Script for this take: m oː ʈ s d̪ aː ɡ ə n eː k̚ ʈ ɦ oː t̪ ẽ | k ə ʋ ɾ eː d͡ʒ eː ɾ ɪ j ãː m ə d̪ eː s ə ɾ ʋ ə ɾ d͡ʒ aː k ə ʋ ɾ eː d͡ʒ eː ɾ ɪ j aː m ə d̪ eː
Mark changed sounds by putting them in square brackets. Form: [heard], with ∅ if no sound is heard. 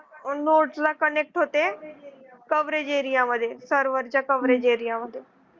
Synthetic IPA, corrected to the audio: [n] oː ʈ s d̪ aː [k] ə n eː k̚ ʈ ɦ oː t̪ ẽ | k ə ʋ ɾ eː d͡ʒ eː ɾ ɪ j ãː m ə d̪ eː s ə ɾ ʋ ə ɾ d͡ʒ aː k ə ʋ ɾ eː d͡ʒ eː ɾ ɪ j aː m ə d̪ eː